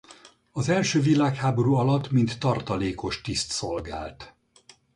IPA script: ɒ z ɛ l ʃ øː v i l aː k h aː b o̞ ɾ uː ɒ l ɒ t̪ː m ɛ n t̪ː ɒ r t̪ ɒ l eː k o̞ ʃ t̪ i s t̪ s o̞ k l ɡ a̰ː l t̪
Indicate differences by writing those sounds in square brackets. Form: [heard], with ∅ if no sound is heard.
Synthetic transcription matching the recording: ɒ z ɛ l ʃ øː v i l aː k h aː b o̞ ɾ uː ɒ l ɒ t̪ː m [i] n t̪ː ɒ r t̪ ɒ l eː k o̞ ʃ t̪ i s t̪ s o̞ [∅] l ɡ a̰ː l t̪